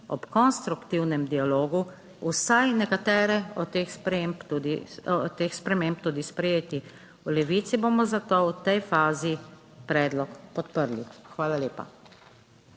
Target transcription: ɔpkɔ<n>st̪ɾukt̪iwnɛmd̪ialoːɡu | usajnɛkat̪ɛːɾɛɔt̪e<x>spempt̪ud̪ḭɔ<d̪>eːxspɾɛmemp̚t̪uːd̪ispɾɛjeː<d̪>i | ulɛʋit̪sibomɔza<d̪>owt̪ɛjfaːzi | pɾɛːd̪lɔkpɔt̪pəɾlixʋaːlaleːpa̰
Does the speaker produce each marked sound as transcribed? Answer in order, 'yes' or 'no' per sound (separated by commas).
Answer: yes, yes, no, no, no